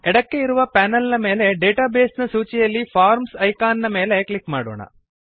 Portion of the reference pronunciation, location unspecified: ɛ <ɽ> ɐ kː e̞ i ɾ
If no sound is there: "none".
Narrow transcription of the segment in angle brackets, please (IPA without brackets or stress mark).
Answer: ɽ